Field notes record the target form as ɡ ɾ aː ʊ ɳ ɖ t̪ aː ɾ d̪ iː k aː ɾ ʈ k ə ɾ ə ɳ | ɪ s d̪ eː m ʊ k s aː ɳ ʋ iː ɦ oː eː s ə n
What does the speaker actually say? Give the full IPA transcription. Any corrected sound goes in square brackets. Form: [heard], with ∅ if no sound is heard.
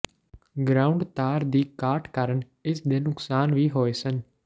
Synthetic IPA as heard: ɡ ɾ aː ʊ ɳ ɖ t̪ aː ɾ d̪ iː k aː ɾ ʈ k ə ɾ ə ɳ | ɪ s d̪ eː [n] ʊ k s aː [n] ʋ iː ɦ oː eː s ə n